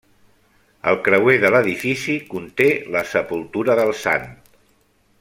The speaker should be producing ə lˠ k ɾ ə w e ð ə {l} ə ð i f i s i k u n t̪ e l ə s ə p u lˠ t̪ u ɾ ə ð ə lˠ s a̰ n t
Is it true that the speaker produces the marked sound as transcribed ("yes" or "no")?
yes